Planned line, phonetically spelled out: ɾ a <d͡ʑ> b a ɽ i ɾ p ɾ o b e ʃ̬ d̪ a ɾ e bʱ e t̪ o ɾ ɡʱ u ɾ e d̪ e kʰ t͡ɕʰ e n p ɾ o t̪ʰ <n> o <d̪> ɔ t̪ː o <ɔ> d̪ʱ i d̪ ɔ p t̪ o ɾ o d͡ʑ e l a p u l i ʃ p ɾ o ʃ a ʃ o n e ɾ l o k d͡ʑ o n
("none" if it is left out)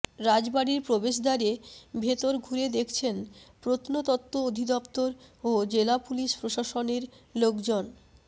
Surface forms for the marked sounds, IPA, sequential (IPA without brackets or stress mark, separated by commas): d͡ʑ, n, t̪, o